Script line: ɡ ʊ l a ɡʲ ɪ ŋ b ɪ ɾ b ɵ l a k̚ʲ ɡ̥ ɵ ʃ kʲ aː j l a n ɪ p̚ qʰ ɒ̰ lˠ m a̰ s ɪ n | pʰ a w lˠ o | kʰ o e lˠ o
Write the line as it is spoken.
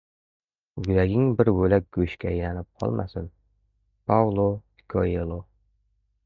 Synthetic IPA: ɡ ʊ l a ɡʲ ɪ ŋ b ɪ ɾ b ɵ l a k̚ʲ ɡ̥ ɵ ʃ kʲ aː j l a n ɪ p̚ qʰ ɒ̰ lˠ m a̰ s ɪ n | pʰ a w lˠ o | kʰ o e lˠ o

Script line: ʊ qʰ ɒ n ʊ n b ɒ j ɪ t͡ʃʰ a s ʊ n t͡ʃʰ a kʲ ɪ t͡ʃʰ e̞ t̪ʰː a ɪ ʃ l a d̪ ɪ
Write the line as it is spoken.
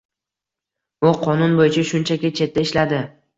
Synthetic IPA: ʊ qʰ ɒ n ʊ n b o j ɪ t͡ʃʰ a ʃ ʊ n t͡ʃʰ a kʲ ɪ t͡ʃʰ e̞ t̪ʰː a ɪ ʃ l a d̪ ɪ

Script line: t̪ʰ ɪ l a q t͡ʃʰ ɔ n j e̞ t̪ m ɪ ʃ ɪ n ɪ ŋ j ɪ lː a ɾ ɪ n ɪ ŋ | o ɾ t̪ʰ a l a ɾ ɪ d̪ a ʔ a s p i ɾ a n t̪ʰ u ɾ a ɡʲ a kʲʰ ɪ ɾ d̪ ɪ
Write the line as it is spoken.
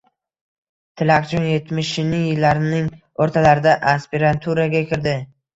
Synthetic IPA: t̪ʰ ɪ l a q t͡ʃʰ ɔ n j e̞ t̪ m ɪ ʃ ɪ n ɪ ŋ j ɪ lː a ɾ ɪ n ɪ ŋ | o ɾ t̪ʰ a l a ɾ ɪ d̪ a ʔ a s p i ɾ a n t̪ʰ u ɾ a ɡʲ a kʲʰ ɪ ɾ d̪ ɪ

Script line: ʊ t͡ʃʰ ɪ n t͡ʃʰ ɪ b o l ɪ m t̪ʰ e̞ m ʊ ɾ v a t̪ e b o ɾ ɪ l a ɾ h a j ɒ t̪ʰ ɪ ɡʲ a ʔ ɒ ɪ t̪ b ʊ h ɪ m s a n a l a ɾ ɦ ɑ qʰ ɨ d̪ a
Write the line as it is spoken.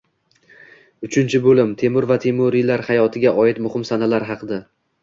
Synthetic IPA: ʊ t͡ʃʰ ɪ n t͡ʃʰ ɪ b o l ɪ m t̪ʰ e̞ m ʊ ɾ v a t̪ʰ e m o ɾ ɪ l a ɾ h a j ɒ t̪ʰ ɪ ɡʲ a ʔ ɒ ɪ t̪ m ʊ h ɪ m s a n a l a ɾ ɦ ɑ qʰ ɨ d̪ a

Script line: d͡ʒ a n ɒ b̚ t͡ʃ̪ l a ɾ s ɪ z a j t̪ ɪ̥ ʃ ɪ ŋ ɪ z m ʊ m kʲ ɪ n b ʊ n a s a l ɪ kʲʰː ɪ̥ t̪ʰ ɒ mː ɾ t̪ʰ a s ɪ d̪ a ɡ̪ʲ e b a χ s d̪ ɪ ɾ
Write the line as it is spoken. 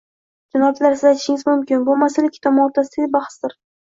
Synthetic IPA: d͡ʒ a n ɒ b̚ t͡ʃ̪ l a ɾ s ɪ z a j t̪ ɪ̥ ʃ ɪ ŋ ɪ z m ʊ m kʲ ɪ n b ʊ m a s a l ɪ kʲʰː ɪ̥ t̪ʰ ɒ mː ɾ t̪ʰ a s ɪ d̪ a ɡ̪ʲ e b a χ s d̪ ɪ ɾ

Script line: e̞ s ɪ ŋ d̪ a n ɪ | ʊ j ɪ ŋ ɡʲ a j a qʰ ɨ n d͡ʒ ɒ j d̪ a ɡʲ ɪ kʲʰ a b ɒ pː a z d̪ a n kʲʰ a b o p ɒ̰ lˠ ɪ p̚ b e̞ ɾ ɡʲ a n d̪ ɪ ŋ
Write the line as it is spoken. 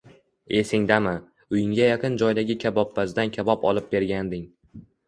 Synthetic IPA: e̞ s ɪ ŋ d̪ a m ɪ | ʊ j ɪ ŋ ɡʲ a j a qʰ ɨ n d͡ʒ ɒ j d̪ a ɡʲ ɪ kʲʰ a b ɒ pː a z d̪ a n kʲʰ a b ɒ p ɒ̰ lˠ ɪ p̚ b e̞ ɾ ɡʲ a n d̪ ɪ ŋ

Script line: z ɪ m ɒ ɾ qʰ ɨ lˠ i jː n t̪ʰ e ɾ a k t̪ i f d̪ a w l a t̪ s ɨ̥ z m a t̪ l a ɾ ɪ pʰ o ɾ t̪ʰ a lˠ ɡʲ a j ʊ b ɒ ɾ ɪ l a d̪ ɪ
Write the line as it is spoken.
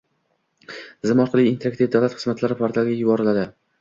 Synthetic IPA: z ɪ m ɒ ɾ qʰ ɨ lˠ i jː n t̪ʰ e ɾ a k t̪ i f d̪ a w l a t̪ χ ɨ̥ z m a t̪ l a ɾ ɪ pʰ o ɾ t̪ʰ a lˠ ɡʲ a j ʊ b ɒ ɾ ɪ l a d̪ ɪ

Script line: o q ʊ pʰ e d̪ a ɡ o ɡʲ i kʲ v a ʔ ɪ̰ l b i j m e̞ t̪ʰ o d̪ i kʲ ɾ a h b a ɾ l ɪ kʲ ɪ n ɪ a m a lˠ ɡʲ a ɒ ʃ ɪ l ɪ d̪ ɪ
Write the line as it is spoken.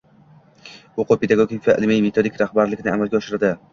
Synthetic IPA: o q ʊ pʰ e d̪ a ɡ o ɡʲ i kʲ v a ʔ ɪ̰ l m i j m e̞ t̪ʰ o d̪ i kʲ ɾ a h b a ɾ l ɪ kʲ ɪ n ɪ a m a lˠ ɡʲ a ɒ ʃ ɪ ɾ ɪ d̪ ɪ

